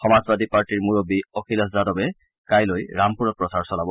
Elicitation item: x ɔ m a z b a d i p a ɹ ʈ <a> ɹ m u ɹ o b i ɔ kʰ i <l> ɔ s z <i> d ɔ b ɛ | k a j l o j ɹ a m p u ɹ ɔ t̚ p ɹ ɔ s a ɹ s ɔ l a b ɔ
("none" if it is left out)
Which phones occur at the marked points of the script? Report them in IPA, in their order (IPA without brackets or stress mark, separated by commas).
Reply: i, l, a